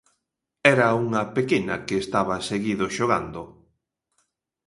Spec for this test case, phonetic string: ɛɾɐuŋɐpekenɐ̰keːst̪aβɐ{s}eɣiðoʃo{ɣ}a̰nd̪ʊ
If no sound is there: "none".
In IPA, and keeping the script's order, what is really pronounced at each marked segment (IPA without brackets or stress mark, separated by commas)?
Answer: s, ɣ